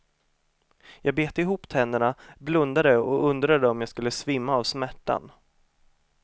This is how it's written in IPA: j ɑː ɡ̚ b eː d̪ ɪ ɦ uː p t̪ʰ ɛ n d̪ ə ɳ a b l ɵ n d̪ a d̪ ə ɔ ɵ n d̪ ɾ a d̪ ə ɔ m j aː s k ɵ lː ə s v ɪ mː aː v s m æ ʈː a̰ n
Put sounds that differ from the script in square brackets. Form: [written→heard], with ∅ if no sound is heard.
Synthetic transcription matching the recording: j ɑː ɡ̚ b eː [d̪→t̪] ɪ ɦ uː p t̪ʰ ɛ n d̪ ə ɳ a b l ɵ n d̪ a d̪ ə ɔ ɵ n d̪ ɾ a d̪ ə ɔ m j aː s k ɵ lː ə s v ɪ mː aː v s m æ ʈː a̰ n